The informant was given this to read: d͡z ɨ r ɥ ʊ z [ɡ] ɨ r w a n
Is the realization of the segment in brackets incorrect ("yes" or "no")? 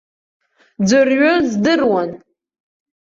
yes